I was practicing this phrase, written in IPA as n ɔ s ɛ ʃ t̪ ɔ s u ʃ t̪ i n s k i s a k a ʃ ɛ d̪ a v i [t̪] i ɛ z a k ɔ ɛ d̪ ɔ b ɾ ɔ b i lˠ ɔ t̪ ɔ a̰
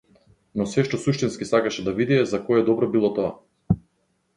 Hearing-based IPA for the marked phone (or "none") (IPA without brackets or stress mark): d̪